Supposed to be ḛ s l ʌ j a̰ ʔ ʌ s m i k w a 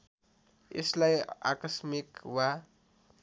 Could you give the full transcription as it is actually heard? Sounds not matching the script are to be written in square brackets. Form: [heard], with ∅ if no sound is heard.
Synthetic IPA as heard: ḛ s l [a] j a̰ [k] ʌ s m i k w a

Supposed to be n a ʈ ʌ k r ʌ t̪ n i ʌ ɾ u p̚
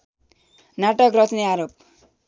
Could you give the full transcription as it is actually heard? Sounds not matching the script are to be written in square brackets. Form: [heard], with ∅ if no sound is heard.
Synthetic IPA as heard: n a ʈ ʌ k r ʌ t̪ n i [a] ɾ [o] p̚

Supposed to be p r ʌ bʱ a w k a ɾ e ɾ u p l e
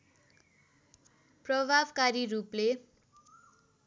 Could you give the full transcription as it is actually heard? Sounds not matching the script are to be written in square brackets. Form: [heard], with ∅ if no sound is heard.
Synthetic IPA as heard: p r ʌ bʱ a [b] k a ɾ [i] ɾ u p l e

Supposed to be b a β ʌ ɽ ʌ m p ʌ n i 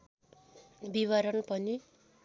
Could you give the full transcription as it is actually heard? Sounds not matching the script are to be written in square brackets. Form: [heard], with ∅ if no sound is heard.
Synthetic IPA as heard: b [i] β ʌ [ɾ] ʌ [n] p ʌ n i

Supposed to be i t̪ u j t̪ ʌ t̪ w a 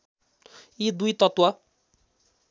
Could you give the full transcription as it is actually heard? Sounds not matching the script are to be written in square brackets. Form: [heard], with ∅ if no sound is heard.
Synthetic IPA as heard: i [d̪] u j t̪ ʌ t̪ w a

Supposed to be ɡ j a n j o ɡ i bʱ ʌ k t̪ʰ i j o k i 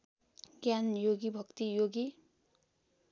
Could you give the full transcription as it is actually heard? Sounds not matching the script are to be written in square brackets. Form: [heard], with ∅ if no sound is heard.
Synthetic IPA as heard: ɡ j a n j o ɡ i bʱ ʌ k [t̪] i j o [ɡ] i

